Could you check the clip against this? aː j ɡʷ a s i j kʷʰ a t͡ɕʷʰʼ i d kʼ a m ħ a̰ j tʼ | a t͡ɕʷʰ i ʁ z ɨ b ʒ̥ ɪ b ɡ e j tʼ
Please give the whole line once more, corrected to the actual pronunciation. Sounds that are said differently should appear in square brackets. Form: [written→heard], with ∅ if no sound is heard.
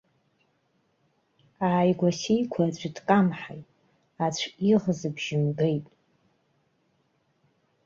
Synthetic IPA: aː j ɡʷ a s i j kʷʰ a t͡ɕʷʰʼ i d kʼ a m ħ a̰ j tʼ | a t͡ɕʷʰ i ʁ z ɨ b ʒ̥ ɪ [b→m] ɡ e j tʼ